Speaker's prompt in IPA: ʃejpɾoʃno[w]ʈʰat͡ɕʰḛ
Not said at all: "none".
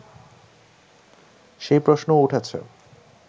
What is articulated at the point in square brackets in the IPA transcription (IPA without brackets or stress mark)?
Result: u